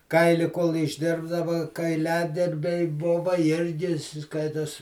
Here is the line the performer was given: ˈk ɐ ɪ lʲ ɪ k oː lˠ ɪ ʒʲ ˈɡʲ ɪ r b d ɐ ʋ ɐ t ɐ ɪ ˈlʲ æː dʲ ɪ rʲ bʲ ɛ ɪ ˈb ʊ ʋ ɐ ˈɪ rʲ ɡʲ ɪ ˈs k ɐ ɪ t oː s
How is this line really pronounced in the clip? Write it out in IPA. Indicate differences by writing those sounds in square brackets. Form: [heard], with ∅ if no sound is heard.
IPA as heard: ˈk ɐ ɪ lʲ ɪ k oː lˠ ɪ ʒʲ [ˈdʲ] ɪ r b d ɐ ʋ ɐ [k] ɐ ɪ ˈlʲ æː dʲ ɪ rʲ bʲ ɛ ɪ ˈb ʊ ʋ ɐ ˈɪ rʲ ɡʲ ɪ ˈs k ɐ ɪ t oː s